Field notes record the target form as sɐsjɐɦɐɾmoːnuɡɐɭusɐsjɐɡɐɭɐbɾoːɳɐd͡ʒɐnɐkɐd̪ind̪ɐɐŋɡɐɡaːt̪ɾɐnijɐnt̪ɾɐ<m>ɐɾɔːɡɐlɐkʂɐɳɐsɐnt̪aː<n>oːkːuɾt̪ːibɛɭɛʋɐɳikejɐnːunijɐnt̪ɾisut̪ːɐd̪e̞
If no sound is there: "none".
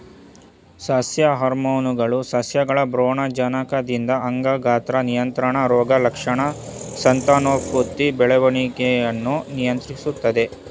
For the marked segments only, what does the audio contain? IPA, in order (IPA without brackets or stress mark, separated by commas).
ɳ, n